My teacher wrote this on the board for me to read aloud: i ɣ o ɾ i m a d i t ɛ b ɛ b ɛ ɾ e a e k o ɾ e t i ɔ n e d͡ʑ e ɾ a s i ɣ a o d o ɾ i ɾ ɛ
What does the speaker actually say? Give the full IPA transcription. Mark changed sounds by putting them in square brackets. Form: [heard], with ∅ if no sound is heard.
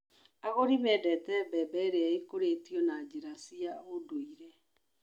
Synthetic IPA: [a] ɣ o ɾ i m [ɛ] d [ɛ] t ɛ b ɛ b ɛ ɾ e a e k o ɾ e t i ɔ n [a] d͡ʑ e ɾ a s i [∅] a o d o [∅] i ɾ ɛ